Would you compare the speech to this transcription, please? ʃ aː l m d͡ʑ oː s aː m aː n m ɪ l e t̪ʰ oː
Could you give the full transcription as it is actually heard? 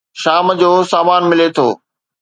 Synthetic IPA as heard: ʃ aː m d͡ʑ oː s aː m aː n m ɪ l e t̪ʰ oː